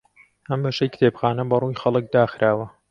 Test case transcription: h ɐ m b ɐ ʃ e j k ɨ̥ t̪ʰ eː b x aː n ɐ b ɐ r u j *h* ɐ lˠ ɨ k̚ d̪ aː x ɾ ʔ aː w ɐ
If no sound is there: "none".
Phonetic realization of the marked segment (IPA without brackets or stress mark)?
x